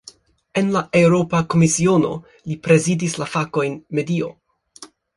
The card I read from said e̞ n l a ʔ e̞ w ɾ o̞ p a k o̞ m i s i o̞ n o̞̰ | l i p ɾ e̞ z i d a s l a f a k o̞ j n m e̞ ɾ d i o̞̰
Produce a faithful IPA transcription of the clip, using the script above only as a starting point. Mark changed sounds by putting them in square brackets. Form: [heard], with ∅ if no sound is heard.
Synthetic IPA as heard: e̞ n l a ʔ e̞ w ɾ o̞ p a k o̞ m i s i o̞ n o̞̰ | l i p ɾ e̞ z i d [i] s l a f a k o̞ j n m e̞ [∅] d i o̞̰

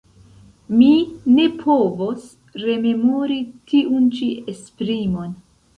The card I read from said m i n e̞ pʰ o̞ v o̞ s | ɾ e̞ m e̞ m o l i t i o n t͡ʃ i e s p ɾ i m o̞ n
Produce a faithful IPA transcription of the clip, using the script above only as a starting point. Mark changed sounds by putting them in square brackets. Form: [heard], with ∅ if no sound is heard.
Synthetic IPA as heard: m i n e̞ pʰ o̞ v o̞ s | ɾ e̞ m e̞ m o [ɾ] i t i [u] n t͡ʃ i e s p ɾ i m o̞ n

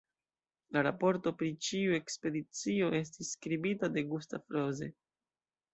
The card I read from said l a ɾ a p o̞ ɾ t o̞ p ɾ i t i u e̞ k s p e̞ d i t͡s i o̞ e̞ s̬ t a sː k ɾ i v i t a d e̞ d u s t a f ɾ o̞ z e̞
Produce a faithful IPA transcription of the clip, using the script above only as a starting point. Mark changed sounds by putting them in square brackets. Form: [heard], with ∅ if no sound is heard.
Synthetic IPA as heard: l a ɾ a p o̞ ɾ t o̞ p ɾ i [t͡ʃ] i u e̞ k s p e̞ d i t͡s i o̞ e̞ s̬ t [i] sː k ɾ i [b] i t a d e̞ [ɡ] u s t a f ɾ o̞ z e̞

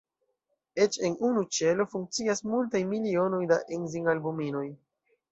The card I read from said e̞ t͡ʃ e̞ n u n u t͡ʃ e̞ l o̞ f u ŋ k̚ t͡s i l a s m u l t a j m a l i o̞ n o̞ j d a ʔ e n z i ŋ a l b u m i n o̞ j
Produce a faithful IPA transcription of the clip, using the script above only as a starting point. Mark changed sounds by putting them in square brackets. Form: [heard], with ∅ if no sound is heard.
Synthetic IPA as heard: e̞ t͡ʃ e̞ n u n u t͡ʃ e̞ l o̞ f u ŋ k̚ t͡s i [∅] a s m u l t a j m [i] l i o̞ n o̞ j d a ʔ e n z i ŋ a l b u m i n o̞ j

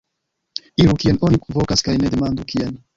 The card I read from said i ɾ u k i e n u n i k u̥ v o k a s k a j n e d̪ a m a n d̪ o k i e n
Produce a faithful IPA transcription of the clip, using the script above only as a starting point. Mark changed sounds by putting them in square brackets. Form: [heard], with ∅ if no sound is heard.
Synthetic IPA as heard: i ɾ u k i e n [o] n i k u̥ v o k a s k a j n e d̪ [e] m a n d̪ [u] k i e n

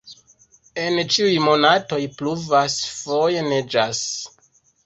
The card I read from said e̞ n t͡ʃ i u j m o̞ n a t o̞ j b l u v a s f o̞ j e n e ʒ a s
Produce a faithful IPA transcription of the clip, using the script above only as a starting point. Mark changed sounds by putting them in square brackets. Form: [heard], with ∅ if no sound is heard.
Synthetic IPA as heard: e̞ n t͡ʃ i u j m o̞ n a t o̞ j [p] l u v a s f o̞ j e n e [d͡ʒ] a s

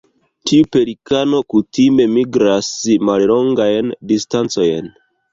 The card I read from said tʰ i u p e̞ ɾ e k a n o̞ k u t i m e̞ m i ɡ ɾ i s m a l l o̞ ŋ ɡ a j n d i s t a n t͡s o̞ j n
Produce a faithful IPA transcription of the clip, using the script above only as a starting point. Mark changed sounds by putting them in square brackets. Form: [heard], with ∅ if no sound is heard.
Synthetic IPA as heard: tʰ i u p e̞ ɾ [i] k a n o̞ k u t i m e̞ m i ɡ ɾ [a] s m a l l o̞ ŋ ɡ a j n d i s t a n t͡s o̞ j n

